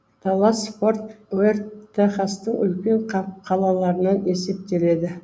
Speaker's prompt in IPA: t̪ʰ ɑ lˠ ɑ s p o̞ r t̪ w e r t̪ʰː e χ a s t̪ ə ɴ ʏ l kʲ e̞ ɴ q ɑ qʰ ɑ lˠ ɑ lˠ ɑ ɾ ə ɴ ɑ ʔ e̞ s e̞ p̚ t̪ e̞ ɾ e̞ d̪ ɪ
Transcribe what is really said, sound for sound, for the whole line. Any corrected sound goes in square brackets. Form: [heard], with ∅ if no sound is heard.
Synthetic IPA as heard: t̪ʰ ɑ lˠ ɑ s p o̞ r t̪ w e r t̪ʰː e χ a s t̪ ə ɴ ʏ l kʲ e̞ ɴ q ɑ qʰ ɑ lˠ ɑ lˠ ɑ ɾ ə [n] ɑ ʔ e̞ s e̞ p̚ t̪ e̞ [l] e̞ d̪ ɪ